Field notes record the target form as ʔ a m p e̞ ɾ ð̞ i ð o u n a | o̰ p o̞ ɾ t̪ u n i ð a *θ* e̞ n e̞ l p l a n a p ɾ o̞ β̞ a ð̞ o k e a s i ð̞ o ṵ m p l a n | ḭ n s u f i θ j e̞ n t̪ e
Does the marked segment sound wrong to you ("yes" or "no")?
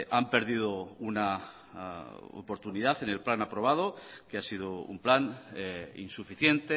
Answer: no